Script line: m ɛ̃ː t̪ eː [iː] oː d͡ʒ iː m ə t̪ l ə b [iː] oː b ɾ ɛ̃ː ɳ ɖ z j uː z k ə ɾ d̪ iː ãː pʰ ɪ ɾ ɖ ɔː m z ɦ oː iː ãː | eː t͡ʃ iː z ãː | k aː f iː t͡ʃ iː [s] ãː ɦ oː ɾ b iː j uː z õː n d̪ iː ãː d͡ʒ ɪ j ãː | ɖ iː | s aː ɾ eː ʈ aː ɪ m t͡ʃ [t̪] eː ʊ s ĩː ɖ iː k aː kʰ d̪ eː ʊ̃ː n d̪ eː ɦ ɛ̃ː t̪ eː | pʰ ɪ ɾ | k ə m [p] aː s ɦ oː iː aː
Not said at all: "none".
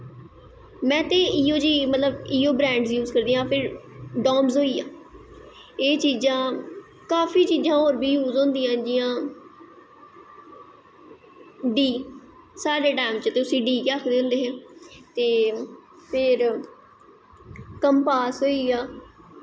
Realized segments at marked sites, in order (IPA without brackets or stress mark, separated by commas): iː, iː, z, t̪, p